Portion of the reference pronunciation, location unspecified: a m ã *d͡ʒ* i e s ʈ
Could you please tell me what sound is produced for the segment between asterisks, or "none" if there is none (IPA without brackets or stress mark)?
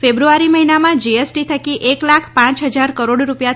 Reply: d͡ʒ